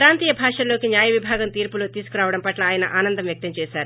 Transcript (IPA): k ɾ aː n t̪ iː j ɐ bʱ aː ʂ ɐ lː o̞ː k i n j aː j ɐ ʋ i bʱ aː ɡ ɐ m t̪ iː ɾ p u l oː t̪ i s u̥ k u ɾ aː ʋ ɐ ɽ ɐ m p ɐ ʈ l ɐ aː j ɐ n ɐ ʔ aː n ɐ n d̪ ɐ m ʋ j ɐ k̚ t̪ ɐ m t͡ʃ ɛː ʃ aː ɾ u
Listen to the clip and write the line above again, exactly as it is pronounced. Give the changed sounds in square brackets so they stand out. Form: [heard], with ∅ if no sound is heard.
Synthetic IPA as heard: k ɾ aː n t̪ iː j ɐ bʱ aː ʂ ɐ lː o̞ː k i n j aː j ɐ ʋ i bʱ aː ɡ ɐ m t̪ iː ɾ p u l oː t̪ [iː] s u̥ k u ɾ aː ʋ ɐ ɽ ɐ m p ɐ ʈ l ɐ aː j ɐ n ɐ ʔ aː n ɐ n d̪ ɐ m ʋ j ɐ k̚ t̪ ɐ m t͡ʃ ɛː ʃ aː ɾ u